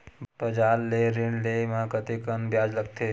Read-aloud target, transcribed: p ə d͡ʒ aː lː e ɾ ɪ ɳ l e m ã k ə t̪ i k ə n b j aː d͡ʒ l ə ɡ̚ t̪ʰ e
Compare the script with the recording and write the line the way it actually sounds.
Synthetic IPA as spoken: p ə d͡ʒ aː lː e ɾ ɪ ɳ l e m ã k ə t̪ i k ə n b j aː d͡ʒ l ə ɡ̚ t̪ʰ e